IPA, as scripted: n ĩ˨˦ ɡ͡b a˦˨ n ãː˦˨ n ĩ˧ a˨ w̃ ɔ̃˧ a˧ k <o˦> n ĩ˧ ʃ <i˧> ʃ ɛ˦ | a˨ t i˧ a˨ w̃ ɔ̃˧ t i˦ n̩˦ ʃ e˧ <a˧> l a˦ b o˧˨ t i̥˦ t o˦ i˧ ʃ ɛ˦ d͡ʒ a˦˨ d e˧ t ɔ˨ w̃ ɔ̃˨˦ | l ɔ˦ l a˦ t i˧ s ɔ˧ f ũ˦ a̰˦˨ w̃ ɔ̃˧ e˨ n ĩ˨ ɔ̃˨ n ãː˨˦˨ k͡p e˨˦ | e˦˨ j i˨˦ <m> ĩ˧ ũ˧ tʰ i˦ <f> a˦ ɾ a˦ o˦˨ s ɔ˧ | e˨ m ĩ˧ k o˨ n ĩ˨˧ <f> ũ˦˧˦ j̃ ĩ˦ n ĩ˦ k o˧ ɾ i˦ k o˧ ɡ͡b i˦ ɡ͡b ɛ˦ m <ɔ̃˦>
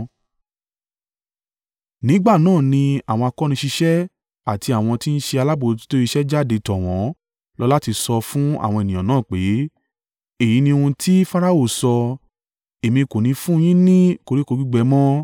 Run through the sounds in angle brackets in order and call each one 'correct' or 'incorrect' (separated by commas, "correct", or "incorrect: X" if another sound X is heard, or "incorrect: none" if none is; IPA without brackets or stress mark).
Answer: incorrect: ɔ˦, correct, correct, incorrect: n, correct, correct, correct